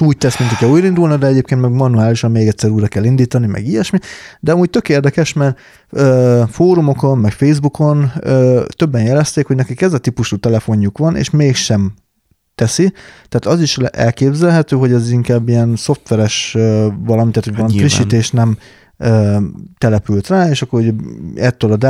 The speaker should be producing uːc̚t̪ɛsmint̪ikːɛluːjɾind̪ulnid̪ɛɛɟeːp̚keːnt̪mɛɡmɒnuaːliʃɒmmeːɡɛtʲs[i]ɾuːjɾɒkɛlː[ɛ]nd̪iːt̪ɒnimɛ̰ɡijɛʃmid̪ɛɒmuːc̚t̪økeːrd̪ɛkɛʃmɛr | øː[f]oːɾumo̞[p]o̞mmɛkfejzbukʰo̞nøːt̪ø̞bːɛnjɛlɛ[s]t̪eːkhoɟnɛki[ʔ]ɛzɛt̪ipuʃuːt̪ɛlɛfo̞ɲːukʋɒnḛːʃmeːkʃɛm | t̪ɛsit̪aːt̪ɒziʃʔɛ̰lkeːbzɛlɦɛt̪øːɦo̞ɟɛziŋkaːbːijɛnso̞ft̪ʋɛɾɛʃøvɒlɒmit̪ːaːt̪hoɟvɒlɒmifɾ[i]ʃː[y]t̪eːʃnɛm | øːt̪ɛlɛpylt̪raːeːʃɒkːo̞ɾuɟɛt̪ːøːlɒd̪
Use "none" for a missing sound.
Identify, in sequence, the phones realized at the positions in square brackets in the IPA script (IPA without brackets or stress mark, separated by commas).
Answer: ɛ, i, f, k, s, k, i, i